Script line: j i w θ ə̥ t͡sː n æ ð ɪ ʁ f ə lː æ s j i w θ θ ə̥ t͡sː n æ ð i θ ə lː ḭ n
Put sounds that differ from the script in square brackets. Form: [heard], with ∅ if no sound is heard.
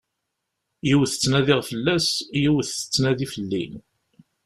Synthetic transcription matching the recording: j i w θ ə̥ t͡sː n æ ð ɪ ʁ f ə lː æ s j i w θ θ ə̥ t͡sː n æ ð i [f] ə lː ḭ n